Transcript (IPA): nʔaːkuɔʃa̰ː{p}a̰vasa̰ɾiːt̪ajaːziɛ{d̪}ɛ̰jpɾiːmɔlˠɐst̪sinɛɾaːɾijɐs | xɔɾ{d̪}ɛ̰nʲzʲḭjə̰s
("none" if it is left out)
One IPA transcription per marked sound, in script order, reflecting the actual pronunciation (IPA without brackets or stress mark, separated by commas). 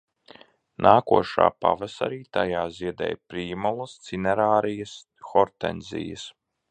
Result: p, d̪, t̪